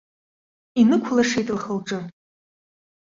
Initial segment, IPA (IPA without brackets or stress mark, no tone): i